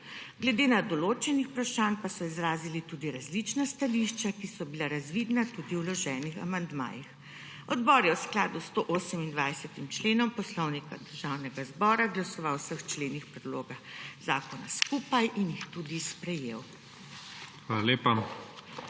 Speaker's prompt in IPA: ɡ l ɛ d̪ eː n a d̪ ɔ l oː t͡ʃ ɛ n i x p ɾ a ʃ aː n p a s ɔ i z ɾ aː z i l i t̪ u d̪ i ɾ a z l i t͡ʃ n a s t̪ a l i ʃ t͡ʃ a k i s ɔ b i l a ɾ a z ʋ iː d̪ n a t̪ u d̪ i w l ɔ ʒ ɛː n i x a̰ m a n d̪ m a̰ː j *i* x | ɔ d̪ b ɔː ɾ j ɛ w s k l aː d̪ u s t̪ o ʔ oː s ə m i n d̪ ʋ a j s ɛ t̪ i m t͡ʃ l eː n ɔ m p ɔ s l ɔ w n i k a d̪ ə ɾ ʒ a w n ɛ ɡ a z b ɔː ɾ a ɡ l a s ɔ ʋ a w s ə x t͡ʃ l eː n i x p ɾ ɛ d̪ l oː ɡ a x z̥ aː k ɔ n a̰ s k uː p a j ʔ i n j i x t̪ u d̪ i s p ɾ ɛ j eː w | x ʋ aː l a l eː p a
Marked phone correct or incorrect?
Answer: correct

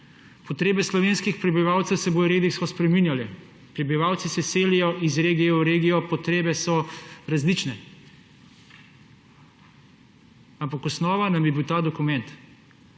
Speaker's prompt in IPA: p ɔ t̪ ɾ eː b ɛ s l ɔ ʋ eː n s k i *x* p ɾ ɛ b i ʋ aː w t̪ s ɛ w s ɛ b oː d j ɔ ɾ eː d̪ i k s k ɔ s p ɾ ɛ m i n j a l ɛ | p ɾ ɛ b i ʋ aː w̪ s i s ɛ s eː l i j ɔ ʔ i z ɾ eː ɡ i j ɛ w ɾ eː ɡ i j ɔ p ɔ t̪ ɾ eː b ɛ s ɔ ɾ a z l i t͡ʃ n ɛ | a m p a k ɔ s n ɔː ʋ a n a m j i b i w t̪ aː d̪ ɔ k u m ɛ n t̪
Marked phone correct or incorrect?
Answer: correct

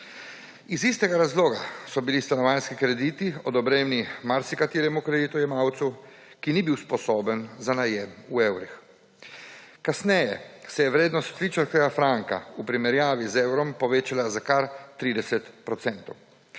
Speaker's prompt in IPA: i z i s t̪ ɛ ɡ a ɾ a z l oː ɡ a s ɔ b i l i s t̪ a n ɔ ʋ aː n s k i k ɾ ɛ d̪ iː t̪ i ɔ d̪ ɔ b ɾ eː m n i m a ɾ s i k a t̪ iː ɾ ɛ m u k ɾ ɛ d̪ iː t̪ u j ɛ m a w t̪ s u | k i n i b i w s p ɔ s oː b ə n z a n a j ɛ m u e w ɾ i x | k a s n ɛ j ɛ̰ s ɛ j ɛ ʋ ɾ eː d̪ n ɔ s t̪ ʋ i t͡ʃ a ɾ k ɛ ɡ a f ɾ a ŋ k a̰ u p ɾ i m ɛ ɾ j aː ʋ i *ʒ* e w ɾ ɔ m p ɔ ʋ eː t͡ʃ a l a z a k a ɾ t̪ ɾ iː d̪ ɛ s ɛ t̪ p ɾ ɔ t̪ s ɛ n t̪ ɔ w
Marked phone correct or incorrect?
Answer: incorrect: z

